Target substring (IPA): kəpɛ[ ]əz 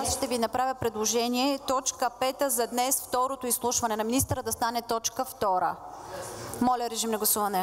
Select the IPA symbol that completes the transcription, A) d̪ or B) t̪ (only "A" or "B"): B